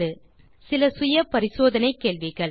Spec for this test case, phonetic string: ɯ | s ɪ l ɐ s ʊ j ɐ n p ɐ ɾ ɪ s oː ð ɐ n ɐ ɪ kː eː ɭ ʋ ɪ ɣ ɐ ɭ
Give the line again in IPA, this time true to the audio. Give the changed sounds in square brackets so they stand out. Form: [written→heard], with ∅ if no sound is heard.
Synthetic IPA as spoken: ɯ | s ɪ l ɐ s ʊ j ɐ [n→∅] p ɐ ɾ ɪ s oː ð ɐ n ɐ ɪ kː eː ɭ ʋ ɪ ɣ ɐ ɭ